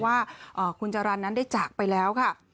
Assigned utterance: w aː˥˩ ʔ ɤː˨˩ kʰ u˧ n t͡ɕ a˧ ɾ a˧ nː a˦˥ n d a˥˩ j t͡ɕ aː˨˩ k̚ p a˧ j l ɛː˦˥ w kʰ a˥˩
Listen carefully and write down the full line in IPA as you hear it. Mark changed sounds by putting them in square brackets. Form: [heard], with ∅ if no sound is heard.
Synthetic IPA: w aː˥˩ ʔ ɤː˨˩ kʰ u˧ n t͡ɕ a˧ ɾ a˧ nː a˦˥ n d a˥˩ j t͡ɕ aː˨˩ k̚ p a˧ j l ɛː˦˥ w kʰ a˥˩